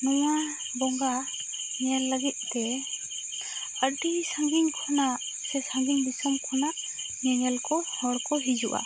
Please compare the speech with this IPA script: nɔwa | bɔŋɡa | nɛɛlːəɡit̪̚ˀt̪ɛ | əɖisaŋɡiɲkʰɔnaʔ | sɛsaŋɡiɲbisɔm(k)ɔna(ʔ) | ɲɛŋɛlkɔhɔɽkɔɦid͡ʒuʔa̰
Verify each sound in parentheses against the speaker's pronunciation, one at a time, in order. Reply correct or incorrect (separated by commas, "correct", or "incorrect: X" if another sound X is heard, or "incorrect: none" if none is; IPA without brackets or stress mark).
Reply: incorrect: kʰ, correct